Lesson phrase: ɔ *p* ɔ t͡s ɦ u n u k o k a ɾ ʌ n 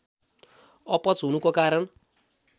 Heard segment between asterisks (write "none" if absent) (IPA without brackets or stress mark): p